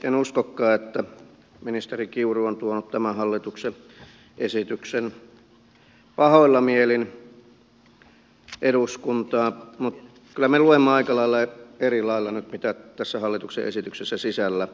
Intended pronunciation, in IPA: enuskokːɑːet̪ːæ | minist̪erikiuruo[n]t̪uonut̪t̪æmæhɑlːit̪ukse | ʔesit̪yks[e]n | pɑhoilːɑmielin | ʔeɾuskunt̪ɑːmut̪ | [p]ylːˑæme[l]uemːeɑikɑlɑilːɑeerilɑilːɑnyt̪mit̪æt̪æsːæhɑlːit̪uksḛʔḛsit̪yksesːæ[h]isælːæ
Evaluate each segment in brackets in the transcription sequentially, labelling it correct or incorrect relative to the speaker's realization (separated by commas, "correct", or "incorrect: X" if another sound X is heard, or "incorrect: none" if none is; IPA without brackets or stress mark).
correct, correct, incorrect: k, correct, incorrect: s